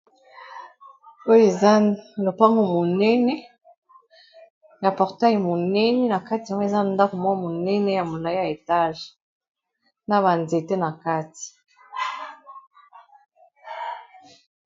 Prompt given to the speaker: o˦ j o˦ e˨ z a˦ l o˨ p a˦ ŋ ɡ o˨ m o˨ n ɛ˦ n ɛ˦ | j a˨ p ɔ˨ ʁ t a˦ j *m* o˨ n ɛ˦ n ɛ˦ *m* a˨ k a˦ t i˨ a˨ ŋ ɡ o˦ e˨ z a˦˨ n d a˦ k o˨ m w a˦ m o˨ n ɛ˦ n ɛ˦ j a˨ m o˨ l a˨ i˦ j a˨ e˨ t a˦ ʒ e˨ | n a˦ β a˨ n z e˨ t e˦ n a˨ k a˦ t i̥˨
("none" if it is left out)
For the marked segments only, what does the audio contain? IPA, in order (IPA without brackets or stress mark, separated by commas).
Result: m, n